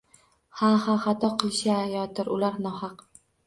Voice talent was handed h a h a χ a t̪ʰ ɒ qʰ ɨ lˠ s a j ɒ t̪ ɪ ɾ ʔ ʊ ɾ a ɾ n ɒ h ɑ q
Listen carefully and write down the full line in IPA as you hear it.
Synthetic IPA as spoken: h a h a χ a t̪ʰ ɒ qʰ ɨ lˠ ʃ a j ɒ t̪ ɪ ɾ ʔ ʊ l a ɾ n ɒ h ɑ q